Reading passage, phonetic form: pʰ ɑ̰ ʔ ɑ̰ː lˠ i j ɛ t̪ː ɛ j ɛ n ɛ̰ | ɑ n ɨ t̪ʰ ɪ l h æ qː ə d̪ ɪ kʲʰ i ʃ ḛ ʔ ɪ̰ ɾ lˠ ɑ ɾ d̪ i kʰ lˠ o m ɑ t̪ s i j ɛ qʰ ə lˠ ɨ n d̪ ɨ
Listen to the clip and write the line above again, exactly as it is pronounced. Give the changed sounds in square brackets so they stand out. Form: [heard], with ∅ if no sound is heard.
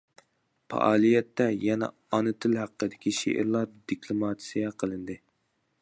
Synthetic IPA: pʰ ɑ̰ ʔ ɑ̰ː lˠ i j ɛ t̪ː ɛ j ɛ n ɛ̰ | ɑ n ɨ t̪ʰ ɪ l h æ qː ə d̪ ɪ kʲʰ i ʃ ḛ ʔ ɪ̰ ɾ lˠ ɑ ɾ d̪ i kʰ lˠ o m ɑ t̪ s i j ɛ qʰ ə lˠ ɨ n d̪ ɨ